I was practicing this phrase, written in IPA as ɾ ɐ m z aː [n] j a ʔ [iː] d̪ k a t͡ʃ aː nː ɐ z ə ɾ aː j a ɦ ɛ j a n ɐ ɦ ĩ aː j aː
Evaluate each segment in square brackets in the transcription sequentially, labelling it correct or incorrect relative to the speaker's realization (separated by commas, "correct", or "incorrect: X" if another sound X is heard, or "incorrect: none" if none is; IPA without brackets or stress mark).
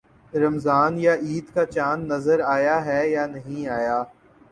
correct, correct